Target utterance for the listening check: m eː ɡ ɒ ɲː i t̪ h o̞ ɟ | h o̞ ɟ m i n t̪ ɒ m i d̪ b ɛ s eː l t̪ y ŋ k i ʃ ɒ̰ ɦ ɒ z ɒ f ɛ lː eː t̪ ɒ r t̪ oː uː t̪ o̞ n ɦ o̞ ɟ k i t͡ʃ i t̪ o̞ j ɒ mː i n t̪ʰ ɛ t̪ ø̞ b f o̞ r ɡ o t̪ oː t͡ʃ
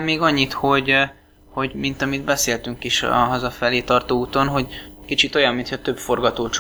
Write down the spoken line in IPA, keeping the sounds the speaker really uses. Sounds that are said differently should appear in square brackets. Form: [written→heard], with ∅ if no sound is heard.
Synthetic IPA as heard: m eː ɡ ɒ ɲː i t̪ h o̞ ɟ | h o̞ ɟ m i n t̪ ɒ m i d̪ b ɛ s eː l t̪ y ŋ k i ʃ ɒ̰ ɦ ɒ z ɒ f ɛ [lː→l] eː t̪ ɒ r t̪ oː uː t̪ o̞ n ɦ o̞ ɟ k i t͡ʃ i t̪ o̞ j ɒ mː i n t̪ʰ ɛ t̪ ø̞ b f o̞ r ɡ [o→ɒ] t̪ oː t͡ʃ